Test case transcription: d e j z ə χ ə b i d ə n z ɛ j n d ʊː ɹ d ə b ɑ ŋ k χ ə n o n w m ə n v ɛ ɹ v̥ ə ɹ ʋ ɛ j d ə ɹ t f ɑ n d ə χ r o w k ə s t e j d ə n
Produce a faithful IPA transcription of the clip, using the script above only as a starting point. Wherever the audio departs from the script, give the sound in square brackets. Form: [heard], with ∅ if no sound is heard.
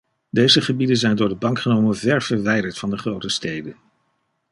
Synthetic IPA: d e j z ə χ ə b i d ə n z ɛ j n d ʊː ɹ d ə b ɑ ŋ k χ ə n o [∅] w m ə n v ɛ ɹ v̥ ə ɹ ʋ ɛ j d ə ɹ t f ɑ n d ə χ r o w [t] ə s t e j d ə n